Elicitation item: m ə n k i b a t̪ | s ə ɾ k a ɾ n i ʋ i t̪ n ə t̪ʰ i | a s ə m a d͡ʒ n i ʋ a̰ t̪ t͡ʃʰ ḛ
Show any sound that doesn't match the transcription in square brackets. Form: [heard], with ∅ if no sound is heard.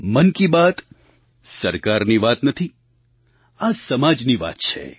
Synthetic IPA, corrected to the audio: m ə n k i b a t̪ | s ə ɾ k a ɾ n i ʋ [a] t̪ n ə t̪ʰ i | a s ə m a d͡ʒ n i ʋ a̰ t̪ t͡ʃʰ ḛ